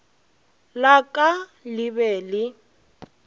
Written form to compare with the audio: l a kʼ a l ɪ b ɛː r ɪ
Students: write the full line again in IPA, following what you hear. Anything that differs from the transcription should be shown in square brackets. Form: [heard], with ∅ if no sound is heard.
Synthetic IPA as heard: l a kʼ a l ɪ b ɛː [l] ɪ